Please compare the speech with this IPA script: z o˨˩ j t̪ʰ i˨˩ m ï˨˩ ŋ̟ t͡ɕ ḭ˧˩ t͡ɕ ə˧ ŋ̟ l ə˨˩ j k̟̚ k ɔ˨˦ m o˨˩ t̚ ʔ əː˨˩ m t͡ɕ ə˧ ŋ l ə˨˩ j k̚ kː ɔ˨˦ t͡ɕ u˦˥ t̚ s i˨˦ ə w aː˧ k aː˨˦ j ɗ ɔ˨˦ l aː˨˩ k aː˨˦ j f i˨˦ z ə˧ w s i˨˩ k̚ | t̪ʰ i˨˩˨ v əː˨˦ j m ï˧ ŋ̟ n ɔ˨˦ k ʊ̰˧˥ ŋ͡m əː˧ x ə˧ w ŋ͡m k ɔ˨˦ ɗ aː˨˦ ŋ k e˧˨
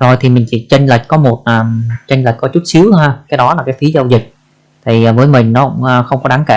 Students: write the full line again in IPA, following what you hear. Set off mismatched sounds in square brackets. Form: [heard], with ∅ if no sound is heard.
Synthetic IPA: z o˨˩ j t̪ʰ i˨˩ m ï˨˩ ŋ̟ t͡ɕ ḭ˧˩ t͡ɕ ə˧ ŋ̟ l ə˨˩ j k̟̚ k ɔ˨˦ m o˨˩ t̚ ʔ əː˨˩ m t͡ɕ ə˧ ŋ l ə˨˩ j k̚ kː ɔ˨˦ t͡ɕ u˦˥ t̚ s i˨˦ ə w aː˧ k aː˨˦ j ɗ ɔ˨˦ l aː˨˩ k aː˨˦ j f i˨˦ z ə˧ w [z] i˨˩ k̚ | t̪ʰ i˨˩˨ v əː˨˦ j m [ï˨˩] ŋ̟ n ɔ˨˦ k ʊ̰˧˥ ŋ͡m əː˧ x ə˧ w ŋ͡m k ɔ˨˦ ɗ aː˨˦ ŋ k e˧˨